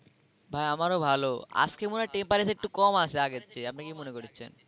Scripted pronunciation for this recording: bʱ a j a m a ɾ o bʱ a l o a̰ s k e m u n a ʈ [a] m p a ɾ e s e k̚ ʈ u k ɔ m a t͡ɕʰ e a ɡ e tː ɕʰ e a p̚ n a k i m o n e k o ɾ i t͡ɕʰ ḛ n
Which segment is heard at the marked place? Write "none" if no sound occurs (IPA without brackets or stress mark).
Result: e